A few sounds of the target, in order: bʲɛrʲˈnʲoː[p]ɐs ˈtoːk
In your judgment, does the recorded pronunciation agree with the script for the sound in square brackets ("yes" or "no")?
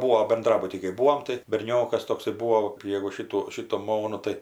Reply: no